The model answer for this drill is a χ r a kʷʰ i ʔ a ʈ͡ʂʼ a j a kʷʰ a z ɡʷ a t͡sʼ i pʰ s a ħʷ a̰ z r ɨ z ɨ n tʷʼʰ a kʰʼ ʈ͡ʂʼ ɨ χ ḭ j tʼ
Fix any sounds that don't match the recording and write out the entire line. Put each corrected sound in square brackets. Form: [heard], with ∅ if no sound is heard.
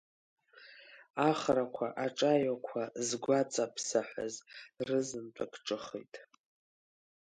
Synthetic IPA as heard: a χ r a kʷʰ [a] ʔ a ʈ͡ʂʼ a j a kʷʰ a z ɡʷ a t͡sʼ [a] pʰ s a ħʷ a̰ z r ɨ z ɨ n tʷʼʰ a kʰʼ ʈ͡ʂʼ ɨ χ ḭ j tʼ